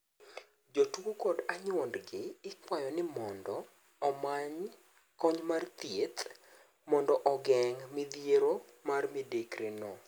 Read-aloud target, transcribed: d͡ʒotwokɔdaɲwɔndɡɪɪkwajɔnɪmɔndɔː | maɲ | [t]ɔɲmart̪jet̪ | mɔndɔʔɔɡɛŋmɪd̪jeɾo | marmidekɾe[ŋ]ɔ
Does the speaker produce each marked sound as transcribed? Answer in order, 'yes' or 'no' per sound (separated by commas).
no, no